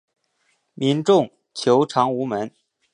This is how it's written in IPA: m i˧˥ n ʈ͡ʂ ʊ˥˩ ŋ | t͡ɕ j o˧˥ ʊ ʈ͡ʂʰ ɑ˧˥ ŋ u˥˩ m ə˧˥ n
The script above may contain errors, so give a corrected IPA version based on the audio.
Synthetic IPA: m i˧˥ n ʈ͡ʂ ʊ˥˩ ŋ | t͡ɕʰ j o˧˥ ʊ ʈ͡ʂʰ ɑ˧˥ ŋ u˧˥ m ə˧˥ n